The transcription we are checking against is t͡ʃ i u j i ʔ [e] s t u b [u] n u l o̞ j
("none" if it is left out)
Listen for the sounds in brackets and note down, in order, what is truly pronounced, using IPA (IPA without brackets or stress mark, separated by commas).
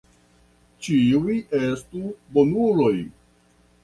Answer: e, o